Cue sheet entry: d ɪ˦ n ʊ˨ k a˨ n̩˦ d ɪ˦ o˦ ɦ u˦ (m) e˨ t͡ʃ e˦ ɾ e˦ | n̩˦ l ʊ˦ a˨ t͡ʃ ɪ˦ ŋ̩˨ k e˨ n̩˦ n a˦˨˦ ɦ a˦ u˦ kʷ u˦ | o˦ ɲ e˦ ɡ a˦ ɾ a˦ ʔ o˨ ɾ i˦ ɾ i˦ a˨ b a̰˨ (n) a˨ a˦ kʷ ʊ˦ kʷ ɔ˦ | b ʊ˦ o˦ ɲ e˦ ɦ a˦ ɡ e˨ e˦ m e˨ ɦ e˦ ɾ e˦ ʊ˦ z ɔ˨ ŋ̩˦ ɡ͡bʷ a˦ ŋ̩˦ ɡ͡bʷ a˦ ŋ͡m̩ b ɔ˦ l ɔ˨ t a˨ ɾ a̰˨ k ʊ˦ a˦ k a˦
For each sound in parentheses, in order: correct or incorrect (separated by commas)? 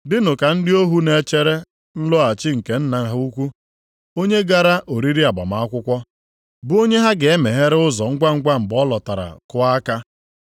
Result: incorrect, incorrect